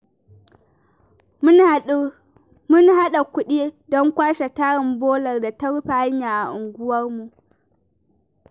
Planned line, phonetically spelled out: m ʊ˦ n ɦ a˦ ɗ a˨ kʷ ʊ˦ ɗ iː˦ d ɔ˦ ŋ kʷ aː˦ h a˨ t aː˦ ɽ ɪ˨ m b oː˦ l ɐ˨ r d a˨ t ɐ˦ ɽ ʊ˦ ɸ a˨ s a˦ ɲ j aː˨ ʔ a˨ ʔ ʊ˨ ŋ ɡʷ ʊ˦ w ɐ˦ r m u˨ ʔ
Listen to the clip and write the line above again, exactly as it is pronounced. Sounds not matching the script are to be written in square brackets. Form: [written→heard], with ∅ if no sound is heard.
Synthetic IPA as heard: m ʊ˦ n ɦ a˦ ɗ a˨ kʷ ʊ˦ ɗ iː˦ d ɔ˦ ŋ kʷ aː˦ [h→ʃ] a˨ t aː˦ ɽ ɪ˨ m b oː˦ l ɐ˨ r d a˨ t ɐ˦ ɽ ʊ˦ ɸ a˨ [s→h] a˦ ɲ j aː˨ ʔ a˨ ʔ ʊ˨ ŋ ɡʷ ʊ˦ w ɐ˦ r m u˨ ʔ